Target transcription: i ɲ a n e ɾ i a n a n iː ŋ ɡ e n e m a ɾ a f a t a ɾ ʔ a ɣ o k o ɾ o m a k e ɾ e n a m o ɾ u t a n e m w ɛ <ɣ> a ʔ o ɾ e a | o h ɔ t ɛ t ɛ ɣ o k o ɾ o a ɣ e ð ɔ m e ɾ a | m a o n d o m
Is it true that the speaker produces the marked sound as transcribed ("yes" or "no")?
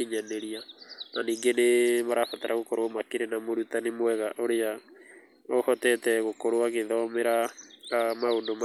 yes